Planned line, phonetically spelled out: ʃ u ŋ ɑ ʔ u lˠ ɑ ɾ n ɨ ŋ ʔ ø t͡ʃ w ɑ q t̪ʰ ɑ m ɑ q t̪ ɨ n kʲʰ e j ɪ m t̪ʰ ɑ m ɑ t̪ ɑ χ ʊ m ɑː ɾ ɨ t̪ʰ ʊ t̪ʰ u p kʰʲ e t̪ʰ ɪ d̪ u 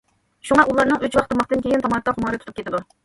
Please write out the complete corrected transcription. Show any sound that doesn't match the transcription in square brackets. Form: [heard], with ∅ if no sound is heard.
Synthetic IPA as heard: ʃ u ŋ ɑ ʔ u lˠ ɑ ɾ n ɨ ŋ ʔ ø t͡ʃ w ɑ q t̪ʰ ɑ m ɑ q t̪ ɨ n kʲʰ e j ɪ [n] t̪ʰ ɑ m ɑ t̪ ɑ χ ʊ m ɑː ɾ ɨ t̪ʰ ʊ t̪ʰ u p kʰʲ e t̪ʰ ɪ d̪ u